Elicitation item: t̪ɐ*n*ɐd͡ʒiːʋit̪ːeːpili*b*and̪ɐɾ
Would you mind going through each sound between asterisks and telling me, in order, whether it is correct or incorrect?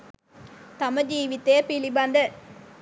incorrect, correct

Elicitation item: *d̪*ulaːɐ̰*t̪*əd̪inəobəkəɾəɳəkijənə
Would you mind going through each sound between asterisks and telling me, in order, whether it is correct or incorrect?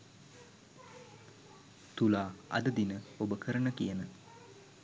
incorrect, incorrect

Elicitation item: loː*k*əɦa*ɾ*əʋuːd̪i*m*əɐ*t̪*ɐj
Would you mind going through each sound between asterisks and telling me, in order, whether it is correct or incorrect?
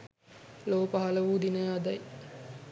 incorrect, incorrect, incorrect, incorrect

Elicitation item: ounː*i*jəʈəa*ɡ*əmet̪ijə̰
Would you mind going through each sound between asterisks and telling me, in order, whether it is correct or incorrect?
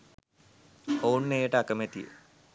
incorrect, incorrect

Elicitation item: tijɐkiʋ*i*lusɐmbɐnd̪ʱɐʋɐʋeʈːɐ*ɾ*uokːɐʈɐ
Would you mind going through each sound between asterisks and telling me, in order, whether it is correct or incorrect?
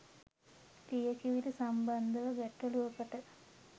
correct, incorrect

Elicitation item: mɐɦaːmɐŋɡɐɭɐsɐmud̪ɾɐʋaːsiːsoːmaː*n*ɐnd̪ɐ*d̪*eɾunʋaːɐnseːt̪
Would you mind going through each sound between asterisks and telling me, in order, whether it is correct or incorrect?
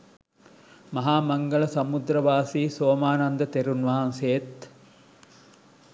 correct, incorrect

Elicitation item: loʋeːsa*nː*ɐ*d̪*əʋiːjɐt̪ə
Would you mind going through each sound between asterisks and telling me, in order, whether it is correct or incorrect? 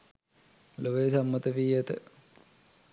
incorrect, incorrect

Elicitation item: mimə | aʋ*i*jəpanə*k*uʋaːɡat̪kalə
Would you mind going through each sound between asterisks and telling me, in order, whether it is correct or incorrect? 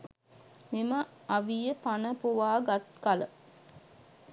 correct, incorrect

